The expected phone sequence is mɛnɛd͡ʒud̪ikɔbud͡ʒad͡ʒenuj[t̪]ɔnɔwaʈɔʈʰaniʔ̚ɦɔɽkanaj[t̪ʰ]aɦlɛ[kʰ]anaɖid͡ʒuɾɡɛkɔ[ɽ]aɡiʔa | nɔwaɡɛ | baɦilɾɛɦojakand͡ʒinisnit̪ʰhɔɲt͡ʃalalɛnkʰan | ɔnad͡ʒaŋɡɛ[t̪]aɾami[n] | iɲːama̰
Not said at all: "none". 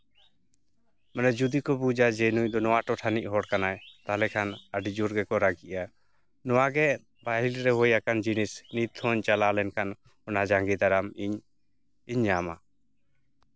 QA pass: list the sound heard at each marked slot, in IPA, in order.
d̪, t̪, kʰ, ɾ, d̪, ɲ

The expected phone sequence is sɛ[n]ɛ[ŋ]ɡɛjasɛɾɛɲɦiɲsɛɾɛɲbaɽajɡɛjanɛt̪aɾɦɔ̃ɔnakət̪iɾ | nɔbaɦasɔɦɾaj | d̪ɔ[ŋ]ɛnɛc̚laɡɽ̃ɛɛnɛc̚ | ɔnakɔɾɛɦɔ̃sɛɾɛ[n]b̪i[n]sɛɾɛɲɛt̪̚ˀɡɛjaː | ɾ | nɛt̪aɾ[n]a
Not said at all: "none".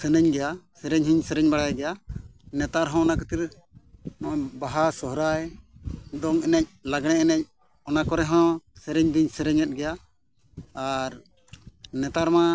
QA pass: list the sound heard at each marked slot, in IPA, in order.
n, ɲ, ŋ, ɲ, ɲ, m

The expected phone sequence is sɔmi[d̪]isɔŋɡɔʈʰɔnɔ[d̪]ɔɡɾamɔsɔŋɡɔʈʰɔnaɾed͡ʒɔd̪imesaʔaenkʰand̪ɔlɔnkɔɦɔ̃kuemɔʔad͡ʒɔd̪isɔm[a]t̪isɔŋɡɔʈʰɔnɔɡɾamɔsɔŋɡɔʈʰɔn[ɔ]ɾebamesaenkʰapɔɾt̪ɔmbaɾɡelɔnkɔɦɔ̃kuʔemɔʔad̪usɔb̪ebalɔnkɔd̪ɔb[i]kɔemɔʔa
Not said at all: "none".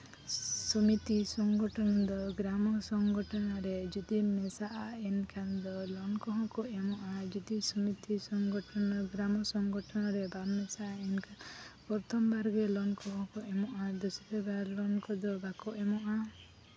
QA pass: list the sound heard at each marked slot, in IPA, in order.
t̪, d̪, i, ɔ, a

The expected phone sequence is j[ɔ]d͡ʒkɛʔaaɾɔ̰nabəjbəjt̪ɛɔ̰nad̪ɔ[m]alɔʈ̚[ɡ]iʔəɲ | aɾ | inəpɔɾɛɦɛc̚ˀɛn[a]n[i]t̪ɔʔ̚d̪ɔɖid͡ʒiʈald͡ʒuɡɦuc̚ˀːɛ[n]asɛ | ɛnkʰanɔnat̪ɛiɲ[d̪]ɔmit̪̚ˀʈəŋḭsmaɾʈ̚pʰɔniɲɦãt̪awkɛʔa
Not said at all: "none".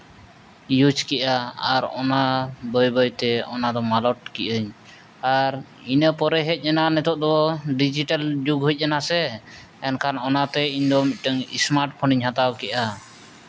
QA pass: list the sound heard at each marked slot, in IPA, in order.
u, m, k, a, ɛ, n, d̪

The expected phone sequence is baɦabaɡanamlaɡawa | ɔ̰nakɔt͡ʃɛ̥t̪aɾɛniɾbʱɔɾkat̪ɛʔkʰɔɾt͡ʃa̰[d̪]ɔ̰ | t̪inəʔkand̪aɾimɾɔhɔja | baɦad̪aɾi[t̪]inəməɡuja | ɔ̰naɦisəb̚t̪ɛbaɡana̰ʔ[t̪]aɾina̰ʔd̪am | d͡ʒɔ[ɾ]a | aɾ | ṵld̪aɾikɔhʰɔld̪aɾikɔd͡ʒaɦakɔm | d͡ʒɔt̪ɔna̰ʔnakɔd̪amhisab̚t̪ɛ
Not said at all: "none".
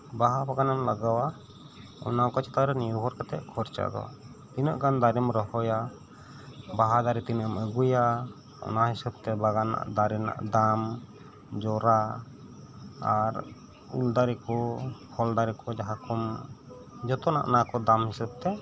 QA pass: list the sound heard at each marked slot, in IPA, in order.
d̪, t̪, d̪, ɾ

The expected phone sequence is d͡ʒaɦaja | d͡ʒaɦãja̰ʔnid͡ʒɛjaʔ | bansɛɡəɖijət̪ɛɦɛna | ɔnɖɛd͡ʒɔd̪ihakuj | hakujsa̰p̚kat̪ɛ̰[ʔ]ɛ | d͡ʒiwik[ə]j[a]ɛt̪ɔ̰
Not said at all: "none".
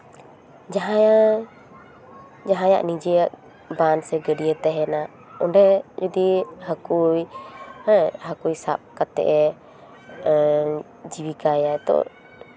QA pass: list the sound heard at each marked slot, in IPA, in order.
ʔ, a, a

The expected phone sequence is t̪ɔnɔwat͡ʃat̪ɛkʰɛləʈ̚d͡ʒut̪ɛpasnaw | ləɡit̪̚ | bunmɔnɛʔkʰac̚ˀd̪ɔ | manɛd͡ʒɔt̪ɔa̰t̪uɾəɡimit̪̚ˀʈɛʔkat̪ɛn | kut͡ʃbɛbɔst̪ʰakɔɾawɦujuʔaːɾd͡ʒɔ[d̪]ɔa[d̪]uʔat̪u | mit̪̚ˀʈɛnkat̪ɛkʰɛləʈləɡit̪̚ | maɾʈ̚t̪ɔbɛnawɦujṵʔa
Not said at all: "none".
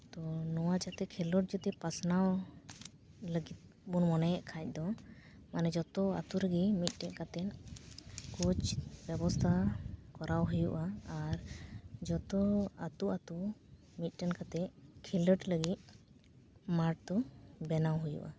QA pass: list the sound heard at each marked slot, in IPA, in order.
t̪, t̪

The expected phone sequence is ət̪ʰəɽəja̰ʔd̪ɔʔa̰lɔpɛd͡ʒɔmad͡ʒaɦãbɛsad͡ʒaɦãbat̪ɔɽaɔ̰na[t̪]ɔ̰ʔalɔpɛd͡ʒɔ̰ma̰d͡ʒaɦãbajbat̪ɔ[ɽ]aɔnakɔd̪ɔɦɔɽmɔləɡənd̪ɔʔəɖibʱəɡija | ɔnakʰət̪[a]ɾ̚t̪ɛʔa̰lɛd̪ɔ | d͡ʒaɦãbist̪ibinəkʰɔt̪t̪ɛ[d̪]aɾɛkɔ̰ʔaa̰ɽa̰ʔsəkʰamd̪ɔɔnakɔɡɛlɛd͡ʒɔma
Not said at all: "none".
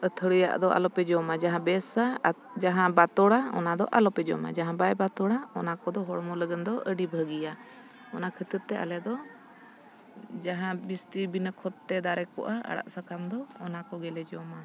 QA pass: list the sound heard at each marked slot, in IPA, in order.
d̪, ɽ, ə, d̪

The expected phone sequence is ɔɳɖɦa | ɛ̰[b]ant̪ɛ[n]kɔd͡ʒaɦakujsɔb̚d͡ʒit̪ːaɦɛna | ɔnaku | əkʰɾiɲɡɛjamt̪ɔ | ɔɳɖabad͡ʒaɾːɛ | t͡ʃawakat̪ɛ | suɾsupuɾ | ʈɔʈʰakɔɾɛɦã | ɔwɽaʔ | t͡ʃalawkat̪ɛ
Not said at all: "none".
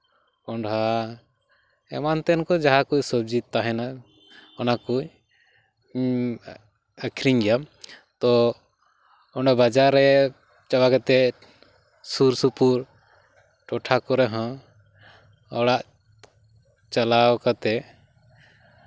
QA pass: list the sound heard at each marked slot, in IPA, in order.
m, n

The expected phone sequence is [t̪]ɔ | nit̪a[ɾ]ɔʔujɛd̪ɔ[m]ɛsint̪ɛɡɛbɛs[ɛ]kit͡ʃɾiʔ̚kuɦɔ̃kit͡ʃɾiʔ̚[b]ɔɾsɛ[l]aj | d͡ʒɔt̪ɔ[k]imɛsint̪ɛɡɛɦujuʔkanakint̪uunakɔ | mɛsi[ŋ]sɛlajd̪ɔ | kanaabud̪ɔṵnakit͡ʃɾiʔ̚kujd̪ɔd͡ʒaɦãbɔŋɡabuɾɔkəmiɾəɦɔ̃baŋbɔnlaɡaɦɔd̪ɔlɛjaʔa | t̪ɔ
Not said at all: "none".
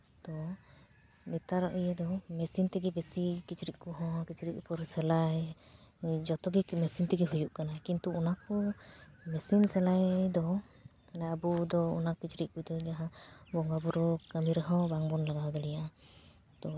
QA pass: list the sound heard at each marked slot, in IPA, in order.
t̪, ɾ, m, i, p, l, ɡ, n

